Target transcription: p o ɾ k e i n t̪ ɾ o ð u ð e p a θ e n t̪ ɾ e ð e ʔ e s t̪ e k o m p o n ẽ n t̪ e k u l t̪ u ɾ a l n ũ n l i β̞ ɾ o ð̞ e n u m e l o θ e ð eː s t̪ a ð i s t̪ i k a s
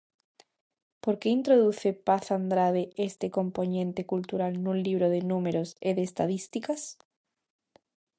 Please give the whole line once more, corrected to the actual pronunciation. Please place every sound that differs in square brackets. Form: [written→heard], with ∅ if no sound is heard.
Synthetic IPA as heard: p o ɾ k e i n t̪ ɾ o ð u [ð→θ] e p a θ [e→a] n [t̪→d̪] ɾ [e→a] ð e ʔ e s t̪ e k o m p o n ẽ n t̪ e k u l t̪ u ɾ a l n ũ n l i β̞ ɾ o ð̞ e n u m e [l→ɾ] o [θ→s] e ð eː s t̪ a ð i s t̪ i k a s